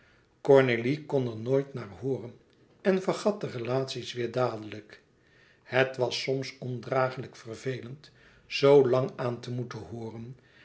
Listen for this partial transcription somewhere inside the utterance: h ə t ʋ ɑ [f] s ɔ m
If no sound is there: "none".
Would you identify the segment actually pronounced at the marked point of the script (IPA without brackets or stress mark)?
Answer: none